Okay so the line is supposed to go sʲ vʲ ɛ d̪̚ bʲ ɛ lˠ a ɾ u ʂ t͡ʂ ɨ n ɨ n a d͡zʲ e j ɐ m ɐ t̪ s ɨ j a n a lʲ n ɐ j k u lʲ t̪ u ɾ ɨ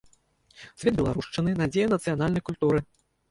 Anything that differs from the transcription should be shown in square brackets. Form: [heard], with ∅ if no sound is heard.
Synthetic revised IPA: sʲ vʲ ɛ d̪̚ bʲ ɛ lˠ a ɾ u ʂ t͡ʂ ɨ n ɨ n a d͡zʲ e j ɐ [n] ɐ t̪ s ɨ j a n a lʲ n ɐ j k u lʲ t̪ u ɾ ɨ

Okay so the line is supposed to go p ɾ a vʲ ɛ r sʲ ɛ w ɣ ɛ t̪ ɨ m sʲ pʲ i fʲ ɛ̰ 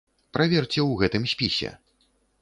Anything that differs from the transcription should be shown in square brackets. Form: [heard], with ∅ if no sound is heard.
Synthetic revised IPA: p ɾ a vʲ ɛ r [t͡sʲ] ɛ w ɣ ɛ t̪ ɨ m sʲ pʲ i [sʲ] ɛ̰

